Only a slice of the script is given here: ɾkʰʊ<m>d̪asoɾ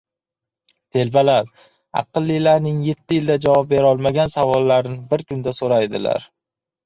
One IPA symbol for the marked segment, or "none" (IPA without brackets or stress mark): n